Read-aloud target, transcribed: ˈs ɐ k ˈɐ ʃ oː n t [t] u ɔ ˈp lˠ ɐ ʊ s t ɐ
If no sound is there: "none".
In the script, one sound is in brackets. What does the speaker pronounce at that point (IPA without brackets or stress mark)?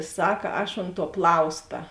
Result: t